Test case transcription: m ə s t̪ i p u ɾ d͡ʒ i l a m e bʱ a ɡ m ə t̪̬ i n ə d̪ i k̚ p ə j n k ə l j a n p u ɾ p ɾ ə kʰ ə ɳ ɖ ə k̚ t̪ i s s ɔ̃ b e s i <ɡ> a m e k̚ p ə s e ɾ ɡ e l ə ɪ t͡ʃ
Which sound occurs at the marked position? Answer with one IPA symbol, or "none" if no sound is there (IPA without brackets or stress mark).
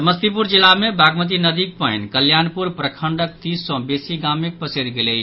ɡ